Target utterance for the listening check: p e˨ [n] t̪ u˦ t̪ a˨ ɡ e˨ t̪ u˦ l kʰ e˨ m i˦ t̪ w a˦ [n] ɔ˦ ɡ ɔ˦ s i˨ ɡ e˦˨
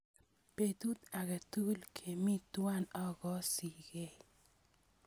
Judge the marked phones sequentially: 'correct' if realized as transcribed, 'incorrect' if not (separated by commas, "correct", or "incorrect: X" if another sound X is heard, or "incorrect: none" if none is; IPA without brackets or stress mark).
incorrect: none, correct